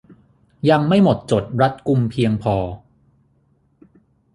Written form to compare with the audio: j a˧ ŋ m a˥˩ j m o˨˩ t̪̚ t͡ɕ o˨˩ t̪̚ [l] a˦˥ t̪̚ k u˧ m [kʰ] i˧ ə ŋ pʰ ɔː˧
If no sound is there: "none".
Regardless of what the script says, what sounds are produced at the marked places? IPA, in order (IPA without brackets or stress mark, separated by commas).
ɾ, pʰ